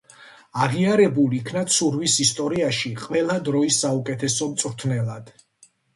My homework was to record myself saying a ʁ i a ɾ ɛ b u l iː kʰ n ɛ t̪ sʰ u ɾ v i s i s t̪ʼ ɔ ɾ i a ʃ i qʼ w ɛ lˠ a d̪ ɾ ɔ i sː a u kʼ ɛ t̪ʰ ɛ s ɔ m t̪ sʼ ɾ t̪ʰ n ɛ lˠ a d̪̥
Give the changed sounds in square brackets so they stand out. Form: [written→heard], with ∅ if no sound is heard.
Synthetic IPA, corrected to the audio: a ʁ i a ɾ ɛ b u l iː kʰ n [ɛ→a] t̪ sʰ u ɾ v i s i s t̪ʼ ɔ ɾ i a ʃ i qʼ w ɛ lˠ a d̪ ɾ ɔ i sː a u kʼ ɛ t̪ʰ ɛ s ɔ m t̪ sʼ ɾ t̪ʰ n ɛ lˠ a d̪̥